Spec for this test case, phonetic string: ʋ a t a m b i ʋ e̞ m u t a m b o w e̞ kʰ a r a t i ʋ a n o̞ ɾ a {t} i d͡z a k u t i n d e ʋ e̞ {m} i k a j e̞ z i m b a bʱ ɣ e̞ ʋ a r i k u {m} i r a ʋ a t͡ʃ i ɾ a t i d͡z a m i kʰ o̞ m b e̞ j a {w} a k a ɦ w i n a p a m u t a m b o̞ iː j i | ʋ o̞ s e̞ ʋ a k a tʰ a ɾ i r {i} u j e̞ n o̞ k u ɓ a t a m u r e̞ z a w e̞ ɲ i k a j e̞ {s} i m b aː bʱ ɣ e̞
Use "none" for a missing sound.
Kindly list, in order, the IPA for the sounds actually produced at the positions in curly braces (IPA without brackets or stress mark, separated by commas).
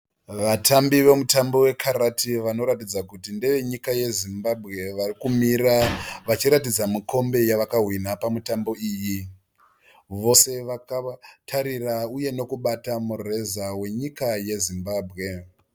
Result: t, ɲ, m, ʋ, a, z